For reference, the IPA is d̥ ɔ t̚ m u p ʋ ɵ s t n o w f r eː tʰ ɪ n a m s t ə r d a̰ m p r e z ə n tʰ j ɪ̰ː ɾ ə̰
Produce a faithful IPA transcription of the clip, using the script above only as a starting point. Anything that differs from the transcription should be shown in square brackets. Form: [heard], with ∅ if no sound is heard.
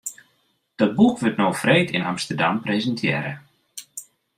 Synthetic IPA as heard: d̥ ɔ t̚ [b] u [k] ʋ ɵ [∅] t n o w f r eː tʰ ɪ n a m s t ə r d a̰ m p r e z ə n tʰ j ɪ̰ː ɾ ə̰